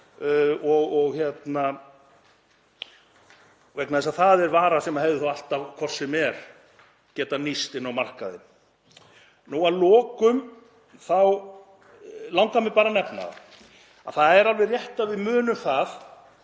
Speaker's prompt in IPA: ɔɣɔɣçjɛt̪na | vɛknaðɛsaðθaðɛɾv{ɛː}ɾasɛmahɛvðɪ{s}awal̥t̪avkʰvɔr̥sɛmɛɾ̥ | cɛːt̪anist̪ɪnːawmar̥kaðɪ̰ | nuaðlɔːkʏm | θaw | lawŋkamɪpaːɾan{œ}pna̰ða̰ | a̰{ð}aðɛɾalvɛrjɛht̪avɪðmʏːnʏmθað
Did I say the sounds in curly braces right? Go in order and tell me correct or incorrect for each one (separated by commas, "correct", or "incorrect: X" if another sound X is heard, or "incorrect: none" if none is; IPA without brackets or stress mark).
incorrect: aː, incorrect: θ, incorrect: ɛ, incorrect: θ